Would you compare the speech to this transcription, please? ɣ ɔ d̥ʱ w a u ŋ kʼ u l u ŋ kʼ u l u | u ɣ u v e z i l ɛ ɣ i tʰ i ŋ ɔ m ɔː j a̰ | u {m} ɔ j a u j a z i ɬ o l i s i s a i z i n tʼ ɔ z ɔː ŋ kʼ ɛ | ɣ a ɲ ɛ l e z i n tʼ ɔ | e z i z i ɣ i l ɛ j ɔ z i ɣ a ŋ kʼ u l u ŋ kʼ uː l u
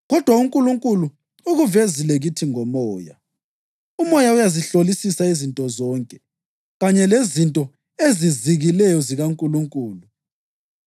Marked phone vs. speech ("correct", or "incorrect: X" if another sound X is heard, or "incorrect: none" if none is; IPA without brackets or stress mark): correct